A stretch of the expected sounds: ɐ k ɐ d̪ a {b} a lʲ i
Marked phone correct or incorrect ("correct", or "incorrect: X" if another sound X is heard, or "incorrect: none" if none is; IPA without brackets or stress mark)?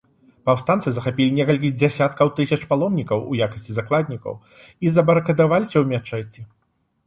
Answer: incorrect: v